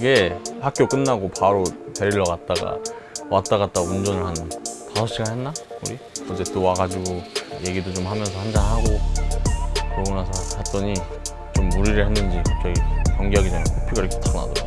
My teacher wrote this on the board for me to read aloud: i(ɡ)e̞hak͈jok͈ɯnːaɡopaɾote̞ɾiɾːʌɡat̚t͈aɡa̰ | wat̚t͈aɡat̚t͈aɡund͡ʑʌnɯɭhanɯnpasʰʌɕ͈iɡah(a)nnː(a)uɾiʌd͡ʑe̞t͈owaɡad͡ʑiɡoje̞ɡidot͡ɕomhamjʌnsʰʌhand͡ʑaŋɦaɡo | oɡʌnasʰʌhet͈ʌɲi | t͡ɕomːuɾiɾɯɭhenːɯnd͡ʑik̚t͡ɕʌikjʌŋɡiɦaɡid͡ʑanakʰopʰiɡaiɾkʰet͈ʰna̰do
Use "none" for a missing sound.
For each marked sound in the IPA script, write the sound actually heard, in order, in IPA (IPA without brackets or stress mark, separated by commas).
ɡ, e, a